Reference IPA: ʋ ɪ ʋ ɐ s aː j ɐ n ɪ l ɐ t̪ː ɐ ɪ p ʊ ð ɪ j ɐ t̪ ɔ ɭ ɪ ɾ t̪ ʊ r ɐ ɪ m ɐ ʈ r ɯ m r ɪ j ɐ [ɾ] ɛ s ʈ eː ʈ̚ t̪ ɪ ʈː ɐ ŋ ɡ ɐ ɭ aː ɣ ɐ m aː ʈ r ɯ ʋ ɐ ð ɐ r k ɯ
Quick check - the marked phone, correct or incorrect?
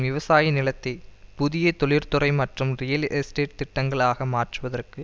incorrect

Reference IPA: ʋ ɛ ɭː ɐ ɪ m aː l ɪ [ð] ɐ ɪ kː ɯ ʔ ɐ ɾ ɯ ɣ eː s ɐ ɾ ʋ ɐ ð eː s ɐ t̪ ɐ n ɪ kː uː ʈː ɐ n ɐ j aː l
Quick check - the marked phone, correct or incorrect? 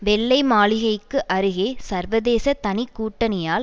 incorrect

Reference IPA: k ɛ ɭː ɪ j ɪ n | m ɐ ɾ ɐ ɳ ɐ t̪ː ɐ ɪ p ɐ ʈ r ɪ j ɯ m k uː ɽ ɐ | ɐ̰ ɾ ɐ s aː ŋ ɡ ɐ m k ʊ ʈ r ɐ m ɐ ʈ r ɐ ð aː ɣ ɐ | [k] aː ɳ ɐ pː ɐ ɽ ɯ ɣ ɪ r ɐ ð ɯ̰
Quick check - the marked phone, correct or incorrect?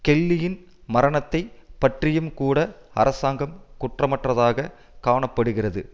correct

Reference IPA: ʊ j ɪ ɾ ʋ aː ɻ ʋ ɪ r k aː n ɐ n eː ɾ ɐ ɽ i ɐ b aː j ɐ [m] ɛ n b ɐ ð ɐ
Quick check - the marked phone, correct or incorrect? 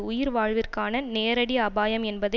correct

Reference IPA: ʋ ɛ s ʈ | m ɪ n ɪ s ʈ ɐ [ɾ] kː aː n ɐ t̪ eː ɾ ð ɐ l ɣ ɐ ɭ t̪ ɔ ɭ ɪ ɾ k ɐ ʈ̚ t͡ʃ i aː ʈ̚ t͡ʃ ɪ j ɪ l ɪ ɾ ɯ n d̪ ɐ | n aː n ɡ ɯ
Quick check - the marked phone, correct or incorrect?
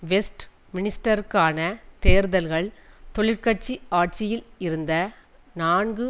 correct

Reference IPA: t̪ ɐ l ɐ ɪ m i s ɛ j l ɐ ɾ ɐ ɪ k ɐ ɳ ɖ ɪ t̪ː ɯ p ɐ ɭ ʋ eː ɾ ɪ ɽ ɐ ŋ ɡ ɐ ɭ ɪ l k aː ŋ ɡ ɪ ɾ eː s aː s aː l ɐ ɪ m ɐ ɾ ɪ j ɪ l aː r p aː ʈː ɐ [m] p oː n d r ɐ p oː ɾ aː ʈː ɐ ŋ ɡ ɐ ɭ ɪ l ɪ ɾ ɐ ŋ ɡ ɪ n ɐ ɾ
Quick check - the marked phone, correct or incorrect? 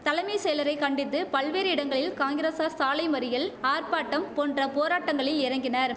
correct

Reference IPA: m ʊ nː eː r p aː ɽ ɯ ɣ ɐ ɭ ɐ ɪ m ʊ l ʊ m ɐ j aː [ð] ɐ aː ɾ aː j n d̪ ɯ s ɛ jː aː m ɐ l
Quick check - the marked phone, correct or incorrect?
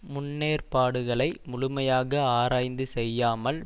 incorrect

